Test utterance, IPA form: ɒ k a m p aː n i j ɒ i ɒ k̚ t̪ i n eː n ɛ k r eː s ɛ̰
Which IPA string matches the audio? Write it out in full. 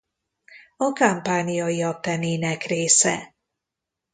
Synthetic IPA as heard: ɒ k a m p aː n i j ɒ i ɒ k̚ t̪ ɛ n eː n ɛ k r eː s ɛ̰